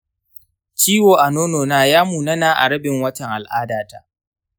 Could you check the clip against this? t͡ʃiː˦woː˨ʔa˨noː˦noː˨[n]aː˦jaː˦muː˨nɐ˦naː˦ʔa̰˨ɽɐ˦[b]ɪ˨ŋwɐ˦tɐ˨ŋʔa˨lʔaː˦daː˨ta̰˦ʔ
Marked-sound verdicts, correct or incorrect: correct, correct

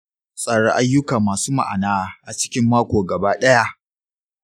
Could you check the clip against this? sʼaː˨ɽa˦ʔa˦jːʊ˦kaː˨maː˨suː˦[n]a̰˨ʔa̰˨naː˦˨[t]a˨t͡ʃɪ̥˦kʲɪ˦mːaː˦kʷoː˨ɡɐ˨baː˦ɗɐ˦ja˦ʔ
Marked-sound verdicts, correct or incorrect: incorrect: m, incorrect: ʔ

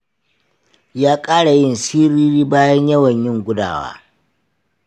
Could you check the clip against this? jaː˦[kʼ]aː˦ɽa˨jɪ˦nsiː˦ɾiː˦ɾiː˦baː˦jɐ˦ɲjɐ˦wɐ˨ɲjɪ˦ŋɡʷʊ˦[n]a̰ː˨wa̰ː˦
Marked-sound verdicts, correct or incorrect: correct, incorrect: d

